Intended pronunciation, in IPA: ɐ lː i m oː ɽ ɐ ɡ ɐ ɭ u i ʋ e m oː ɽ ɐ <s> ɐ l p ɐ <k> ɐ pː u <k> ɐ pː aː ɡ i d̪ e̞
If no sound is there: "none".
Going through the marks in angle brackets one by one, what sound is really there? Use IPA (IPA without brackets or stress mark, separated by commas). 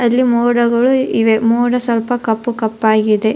s, k, k